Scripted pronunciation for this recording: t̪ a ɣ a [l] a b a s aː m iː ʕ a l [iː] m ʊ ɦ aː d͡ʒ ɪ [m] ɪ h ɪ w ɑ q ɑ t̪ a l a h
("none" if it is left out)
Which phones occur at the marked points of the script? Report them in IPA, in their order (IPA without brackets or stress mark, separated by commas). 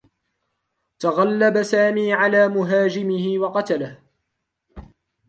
lː, aː, m